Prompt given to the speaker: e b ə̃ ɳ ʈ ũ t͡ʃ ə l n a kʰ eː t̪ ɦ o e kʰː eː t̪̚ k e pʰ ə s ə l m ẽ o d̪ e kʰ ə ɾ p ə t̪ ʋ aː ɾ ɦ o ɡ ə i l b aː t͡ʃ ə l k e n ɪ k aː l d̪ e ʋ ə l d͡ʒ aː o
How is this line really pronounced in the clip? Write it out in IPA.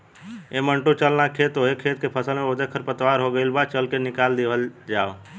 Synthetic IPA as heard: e m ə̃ ɳ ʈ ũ t͡ʃ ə l n a kʰ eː t̪ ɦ o e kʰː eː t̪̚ k e pʰ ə s ə l m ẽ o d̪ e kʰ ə ɾ p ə t̪ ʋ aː ɾ ɦ o ɡ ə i l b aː t͡ʃ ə l k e n ɪ k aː l d̪ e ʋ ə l d͡ʒ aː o